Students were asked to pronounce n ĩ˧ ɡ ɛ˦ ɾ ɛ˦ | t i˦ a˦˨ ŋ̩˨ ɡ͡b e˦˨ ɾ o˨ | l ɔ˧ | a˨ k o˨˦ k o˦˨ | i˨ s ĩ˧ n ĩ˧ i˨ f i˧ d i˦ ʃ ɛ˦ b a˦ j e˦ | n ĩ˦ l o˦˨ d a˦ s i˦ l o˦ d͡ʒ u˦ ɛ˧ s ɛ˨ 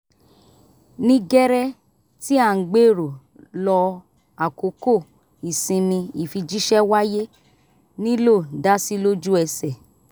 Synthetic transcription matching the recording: n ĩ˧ ɡ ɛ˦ ɾ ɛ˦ | t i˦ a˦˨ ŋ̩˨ ɡ͡b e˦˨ ɾ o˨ | l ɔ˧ | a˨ k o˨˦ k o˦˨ | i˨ s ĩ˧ n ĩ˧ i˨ f i˧ d͡ʒ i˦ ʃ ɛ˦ w a˦ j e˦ | n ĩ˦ l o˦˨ d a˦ s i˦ l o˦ d͡ʒ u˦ ɛ˧ s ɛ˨